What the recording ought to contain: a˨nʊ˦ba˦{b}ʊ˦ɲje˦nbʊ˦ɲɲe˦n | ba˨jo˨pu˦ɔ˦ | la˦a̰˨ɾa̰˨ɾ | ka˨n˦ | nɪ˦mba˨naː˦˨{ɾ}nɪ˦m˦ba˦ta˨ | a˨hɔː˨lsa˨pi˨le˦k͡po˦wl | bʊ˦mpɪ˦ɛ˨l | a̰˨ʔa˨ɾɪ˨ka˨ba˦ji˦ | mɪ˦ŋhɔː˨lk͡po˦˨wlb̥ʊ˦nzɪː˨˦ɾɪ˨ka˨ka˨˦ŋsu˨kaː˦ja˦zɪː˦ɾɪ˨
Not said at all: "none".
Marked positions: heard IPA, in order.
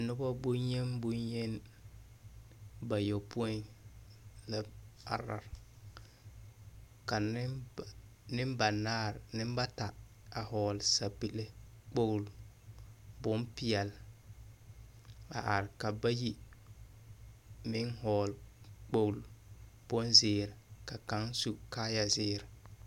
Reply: b, ɾ

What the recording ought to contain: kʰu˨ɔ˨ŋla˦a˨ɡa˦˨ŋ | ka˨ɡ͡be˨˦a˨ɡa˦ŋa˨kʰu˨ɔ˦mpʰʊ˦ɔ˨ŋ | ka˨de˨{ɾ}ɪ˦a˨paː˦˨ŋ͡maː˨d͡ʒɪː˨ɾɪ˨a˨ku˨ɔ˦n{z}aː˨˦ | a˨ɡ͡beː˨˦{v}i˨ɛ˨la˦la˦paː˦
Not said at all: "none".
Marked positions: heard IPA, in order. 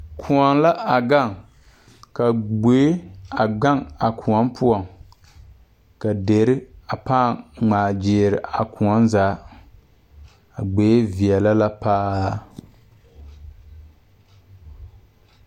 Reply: ɾ, z, v

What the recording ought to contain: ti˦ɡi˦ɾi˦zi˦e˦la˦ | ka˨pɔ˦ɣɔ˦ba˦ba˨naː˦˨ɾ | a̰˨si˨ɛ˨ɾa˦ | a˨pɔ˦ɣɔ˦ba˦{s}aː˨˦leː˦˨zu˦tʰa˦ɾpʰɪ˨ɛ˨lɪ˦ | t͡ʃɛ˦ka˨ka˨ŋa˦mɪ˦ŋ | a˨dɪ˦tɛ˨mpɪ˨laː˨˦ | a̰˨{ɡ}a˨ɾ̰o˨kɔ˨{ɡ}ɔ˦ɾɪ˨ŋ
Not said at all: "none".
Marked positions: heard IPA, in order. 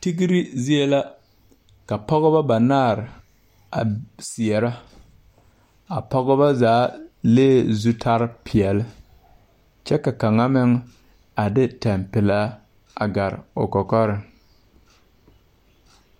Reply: z, ɡ, k

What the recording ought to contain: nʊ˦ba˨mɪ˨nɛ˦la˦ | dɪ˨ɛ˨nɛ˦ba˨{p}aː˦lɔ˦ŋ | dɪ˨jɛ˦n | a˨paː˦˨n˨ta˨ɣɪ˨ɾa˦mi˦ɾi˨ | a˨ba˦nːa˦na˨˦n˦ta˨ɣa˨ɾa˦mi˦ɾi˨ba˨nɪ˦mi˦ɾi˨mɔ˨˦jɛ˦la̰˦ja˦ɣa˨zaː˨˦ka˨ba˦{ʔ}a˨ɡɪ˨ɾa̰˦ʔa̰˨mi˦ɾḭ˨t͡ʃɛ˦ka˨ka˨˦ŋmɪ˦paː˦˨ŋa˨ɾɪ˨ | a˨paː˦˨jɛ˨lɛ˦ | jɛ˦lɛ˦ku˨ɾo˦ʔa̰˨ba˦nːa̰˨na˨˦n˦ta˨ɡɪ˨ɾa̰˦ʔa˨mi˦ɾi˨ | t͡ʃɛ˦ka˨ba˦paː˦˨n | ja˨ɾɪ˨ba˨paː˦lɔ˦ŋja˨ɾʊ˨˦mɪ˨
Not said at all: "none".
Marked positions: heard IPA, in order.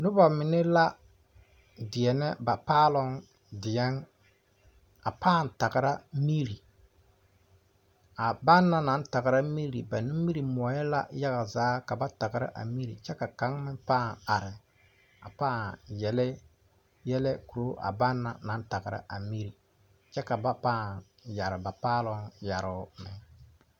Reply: p, t

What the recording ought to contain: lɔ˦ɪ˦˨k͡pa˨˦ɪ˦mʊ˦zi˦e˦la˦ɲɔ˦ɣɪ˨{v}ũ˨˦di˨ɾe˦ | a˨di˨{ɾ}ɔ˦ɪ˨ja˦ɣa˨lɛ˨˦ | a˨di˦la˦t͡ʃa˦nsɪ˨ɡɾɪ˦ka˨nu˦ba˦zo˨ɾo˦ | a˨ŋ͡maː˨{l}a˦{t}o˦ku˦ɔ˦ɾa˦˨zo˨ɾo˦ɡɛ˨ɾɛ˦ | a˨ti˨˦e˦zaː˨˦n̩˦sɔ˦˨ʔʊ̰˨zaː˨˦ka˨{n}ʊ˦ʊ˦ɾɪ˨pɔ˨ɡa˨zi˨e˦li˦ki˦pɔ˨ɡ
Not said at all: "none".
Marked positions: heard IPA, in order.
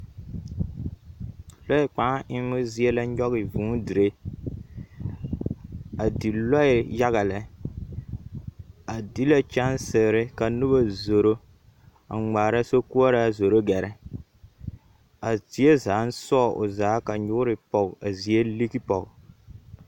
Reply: v, l, ɾ, s, ɲ

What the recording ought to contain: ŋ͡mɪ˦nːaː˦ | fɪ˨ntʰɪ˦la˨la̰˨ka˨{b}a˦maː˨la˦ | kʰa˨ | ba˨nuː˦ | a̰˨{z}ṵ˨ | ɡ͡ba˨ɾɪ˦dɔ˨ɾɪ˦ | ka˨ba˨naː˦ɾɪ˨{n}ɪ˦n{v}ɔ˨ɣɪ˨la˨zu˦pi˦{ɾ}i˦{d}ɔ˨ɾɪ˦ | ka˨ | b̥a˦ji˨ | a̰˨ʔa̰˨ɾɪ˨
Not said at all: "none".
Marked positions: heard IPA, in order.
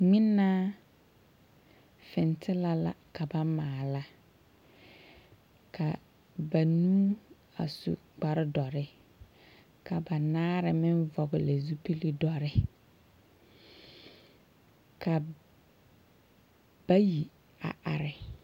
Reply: b, s, m, v, l, d

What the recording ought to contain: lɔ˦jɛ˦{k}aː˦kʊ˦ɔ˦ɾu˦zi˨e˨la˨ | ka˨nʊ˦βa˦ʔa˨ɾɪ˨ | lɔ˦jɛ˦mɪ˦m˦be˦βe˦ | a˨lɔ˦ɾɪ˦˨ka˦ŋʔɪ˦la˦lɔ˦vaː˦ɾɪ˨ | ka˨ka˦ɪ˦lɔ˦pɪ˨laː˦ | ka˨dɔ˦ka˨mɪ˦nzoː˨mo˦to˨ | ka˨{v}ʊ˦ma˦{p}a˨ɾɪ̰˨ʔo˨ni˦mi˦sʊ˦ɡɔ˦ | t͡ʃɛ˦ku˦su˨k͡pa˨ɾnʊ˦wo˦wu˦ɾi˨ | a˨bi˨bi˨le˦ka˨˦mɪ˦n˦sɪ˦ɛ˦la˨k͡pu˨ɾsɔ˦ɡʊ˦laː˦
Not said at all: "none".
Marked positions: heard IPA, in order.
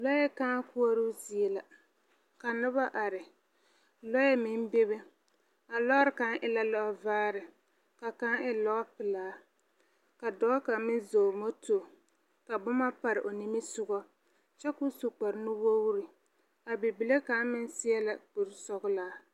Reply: k, b, p

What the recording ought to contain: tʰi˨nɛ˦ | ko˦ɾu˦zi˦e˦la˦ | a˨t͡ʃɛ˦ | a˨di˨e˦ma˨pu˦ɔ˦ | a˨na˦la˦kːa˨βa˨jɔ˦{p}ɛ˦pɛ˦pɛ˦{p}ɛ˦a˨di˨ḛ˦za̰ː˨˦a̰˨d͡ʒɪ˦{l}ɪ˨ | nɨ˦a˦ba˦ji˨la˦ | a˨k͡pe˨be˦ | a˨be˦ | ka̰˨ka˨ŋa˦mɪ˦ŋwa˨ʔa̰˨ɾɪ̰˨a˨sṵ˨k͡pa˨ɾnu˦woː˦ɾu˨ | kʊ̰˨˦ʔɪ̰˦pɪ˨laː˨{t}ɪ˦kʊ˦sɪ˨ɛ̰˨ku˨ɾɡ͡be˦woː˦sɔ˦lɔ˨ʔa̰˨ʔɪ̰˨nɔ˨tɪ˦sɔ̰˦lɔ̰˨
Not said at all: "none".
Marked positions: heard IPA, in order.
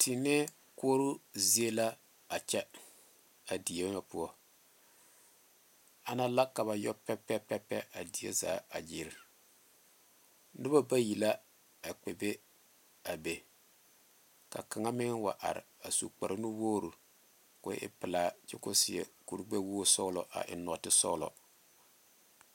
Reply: p, p, ɾ, t͡ʃ

